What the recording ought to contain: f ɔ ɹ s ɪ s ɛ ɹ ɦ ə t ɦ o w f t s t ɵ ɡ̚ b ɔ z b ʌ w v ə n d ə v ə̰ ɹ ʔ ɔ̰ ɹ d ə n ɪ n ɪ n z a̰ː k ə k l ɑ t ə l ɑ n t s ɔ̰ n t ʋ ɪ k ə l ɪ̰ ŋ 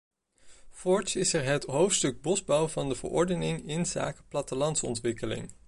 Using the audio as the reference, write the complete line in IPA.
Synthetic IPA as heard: f ɔ ɹ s ɪ s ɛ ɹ ɦ ə t ɦ o w f t s t ɵ ɡ̚ b ɔ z b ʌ w v ɑ n d ə v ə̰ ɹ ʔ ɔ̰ ɹ d ə n ɪ ŋ ɪ n z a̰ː k ə p l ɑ t ə l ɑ n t s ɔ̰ n t ʋ ɪ k ə l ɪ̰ ŋ